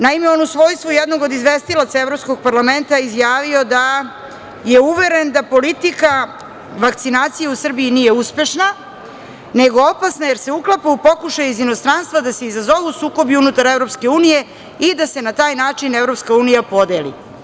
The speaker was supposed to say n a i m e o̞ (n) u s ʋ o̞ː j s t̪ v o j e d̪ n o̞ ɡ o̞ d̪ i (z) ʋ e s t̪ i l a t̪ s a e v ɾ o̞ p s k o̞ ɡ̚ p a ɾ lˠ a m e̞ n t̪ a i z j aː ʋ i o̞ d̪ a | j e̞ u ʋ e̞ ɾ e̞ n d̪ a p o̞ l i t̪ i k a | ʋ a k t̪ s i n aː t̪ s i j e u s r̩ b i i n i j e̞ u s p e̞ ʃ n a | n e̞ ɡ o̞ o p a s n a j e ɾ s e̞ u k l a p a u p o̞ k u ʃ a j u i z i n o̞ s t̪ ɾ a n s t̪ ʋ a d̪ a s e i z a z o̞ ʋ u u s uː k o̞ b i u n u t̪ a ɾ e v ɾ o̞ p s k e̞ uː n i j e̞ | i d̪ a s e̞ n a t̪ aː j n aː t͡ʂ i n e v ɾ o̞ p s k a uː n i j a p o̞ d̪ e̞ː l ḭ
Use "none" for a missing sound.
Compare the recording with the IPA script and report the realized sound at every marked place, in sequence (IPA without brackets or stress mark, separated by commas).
n, z